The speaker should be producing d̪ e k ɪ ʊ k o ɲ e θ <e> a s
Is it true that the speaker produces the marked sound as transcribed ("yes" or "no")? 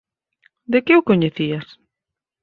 no